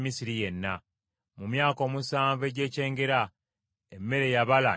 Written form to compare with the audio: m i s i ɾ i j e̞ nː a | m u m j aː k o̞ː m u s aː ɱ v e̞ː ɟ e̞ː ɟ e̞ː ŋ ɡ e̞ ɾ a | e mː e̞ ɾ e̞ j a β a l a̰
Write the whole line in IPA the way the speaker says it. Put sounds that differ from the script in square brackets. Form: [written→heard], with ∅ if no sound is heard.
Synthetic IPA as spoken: m i s i ɾ i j e̞ nː a | m u m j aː k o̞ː m u s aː ɱ v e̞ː ɟ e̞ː [ɟ→c] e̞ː ŋ ɡ e̞ ɾ a | e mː e̞ ɾ e̞ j a β a l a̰